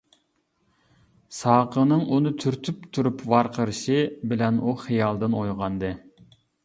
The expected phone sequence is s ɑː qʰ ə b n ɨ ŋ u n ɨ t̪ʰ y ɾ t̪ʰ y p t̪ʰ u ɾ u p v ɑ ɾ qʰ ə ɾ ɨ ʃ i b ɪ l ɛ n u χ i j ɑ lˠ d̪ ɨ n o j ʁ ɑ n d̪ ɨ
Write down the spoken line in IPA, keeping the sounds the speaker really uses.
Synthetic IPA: s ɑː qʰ ə n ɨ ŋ u n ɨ t̪ʰ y ɾ t̪ʰ y p t̪ʰ u ɾ u p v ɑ ɾ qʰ ə ɾ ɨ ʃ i b ɪ l ɛ n u χ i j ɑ lˠ d̪ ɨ n o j ʁ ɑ n d̪ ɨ